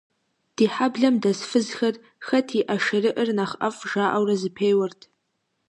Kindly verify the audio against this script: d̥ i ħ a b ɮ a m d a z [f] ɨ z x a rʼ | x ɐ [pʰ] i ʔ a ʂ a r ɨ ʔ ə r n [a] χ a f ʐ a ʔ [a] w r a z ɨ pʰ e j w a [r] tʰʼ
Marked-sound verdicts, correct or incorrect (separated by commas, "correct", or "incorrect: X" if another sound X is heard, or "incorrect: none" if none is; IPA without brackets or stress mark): correct, incorrect: tʰ, correct, correct, correct